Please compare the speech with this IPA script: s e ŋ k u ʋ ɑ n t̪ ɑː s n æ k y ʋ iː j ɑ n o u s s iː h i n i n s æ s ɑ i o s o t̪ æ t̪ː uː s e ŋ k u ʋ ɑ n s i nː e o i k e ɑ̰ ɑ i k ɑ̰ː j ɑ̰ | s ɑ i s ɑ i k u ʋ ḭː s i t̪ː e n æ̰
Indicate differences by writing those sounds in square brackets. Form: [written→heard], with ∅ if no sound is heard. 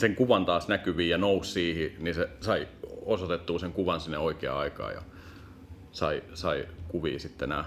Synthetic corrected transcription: s e ŋ k u ʋ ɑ n t̪ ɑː s n æ k y ʋ iː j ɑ n o u s s iː h i n i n s [æ→e] s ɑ i o s o t̪ [æ→e] t̪ː uː s e ŋ k u ʋ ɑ n s i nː e o i k e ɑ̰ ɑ i k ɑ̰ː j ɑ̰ | s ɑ i s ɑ i k u ʋ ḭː s i t̪ː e n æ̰